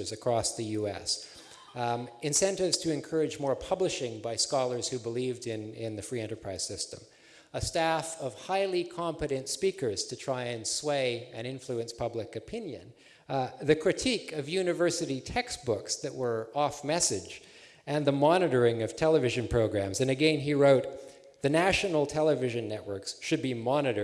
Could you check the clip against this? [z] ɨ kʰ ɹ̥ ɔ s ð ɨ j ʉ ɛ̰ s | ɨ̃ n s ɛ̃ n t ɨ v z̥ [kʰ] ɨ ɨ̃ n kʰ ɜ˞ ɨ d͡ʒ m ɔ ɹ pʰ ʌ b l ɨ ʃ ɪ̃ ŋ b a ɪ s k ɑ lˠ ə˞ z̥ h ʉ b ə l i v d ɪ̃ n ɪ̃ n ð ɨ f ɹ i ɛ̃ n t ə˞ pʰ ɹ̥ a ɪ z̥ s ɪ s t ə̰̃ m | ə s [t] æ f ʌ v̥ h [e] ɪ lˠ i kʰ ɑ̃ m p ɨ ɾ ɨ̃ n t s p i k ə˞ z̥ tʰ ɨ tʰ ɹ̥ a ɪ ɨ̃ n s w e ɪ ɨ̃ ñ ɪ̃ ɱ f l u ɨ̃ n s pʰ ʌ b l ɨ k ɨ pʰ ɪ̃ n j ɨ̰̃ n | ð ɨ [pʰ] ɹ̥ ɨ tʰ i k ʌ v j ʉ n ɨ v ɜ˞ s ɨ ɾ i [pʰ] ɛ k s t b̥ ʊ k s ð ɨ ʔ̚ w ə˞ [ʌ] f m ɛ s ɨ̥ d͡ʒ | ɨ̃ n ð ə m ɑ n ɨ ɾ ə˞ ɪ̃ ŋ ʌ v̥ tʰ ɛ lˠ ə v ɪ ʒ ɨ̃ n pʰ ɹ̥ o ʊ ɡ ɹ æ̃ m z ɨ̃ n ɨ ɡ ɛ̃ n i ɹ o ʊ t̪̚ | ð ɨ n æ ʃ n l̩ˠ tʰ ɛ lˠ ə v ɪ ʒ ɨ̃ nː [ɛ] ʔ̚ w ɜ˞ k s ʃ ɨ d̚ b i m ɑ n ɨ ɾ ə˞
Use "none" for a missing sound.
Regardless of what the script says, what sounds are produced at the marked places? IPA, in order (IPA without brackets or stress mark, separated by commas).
z, tʰ, t, a, kʰ, tʰ, ɔ, ɛ